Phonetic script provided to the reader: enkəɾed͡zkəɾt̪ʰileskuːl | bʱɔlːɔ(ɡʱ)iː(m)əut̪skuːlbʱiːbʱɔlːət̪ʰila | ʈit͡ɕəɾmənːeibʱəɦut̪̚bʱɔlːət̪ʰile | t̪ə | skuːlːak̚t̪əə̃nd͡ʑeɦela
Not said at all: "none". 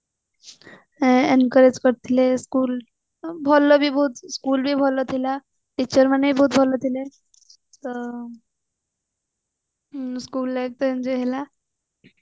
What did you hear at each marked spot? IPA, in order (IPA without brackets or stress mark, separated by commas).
bʱ, b